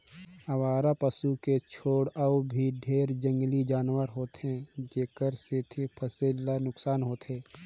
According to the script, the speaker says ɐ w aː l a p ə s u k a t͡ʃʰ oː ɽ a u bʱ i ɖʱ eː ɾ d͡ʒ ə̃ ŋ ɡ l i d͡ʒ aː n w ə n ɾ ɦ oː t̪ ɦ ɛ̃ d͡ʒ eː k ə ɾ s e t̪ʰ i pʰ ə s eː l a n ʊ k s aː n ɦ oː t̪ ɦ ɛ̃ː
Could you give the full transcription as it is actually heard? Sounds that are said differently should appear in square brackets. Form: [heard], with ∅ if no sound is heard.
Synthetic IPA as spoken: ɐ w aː [ɾ] a p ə s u k [e] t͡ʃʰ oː ɽ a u bʱ i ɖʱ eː ɾ d͡ʒ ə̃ ŋ ɡ l i d͡ʒ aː n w ə [∅] ɾ ɦ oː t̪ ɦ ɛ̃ d͡ʒ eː k ə ɾ s e t̪ʰ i pʰ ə s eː l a n ʊ k s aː n ɦ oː t̪ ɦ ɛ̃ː

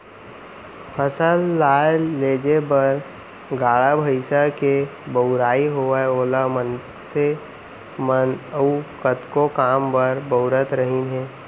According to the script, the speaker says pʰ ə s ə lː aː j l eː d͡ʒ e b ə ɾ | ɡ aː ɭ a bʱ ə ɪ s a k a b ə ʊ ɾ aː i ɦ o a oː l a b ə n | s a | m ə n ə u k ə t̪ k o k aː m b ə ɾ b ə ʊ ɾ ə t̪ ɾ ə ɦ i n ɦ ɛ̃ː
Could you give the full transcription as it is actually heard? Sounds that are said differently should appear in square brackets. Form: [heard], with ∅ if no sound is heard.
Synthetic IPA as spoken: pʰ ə s ə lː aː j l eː d͡ʒ e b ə ɾ | ɡ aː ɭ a bʱ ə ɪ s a k [e] b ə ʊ ɾ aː i ɦ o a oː l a [m] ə n | s [e] | m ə n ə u k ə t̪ k o k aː m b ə ɾ b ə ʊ ɾ ə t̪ ɾ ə ɦ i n ɦ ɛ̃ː

